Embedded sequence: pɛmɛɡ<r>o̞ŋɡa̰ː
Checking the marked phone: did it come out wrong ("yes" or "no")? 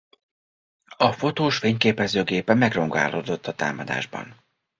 no